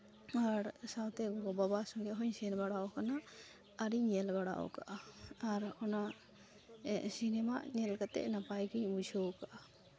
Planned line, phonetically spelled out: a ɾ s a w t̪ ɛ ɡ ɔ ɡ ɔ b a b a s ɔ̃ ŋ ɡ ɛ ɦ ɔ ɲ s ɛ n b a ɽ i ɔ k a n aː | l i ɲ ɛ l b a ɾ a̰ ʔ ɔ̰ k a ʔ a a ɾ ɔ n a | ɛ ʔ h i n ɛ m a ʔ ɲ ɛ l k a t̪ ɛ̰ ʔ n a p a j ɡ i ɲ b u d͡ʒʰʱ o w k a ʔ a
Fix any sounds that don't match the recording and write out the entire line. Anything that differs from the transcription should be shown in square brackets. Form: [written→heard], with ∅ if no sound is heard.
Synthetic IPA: a ɾ s a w t̪ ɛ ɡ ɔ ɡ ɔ b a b a s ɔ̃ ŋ ɡ ɛ ɦ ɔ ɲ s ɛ n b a ɽ [i→a] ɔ k a n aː | [l→ɾ] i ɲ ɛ l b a [ɾ→ɽ] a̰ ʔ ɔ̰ k a ʔ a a ɾ ɔ n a | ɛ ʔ [h→s] i n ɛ m a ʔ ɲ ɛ l k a t̪ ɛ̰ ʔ n a p a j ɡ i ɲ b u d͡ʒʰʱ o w k a ʔ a